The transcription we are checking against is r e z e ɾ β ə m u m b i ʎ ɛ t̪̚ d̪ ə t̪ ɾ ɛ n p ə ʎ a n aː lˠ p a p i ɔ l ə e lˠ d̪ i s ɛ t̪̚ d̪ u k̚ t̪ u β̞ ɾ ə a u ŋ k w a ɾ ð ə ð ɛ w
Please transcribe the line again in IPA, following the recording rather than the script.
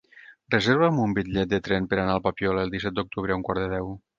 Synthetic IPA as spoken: r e z e ɾ β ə m u m b i ʎ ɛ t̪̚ d̪ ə t̪ ɾ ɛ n p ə ɾ a n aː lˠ p a p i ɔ l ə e lˠ d̪ i s ɛ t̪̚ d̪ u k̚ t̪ u β̞ ɾ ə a u ŋ k w a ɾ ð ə ð ɛ w